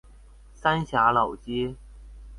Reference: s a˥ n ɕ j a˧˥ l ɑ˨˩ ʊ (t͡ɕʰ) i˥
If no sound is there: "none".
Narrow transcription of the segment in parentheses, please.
t͡ɕ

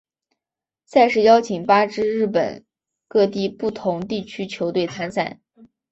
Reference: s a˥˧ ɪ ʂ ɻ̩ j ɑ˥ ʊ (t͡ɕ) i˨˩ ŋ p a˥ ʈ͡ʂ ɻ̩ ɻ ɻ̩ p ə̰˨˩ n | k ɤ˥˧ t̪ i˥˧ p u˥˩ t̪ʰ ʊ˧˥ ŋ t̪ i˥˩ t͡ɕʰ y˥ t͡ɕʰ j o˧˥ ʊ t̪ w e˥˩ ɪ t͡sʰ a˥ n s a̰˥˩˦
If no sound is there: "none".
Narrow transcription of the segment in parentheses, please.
t͡ɕʰ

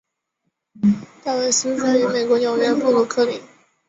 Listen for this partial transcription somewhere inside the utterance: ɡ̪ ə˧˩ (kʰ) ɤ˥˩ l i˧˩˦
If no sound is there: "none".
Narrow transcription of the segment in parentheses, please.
kʰ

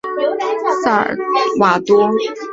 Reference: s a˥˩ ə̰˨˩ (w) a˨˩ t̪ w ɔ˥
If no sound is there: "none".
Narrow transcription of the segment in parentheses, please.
w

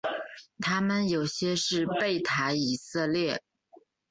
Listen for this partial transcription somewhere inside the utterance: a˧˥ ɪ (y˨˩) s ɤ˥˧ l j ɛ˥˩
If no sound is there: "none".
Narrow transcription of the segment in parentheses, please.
i˨˩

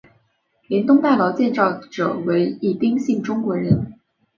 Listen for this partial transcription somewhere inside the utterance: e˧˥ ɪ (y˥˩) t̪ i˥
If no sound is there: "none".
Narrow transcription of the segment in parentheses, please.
i˥˩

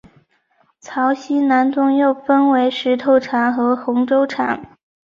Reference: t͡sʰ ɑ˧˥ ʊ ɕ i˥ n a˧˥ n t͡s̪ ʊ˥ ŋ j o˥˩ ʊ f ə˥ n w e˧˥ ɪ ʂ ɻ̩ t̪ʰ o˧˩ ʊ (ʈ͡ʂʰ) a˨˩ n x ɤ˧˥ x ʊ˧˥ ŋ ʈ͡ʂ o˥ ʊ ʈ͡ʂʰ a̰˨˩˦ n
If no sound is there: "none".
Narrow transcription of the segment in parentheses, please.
ʈ͡ʂʰ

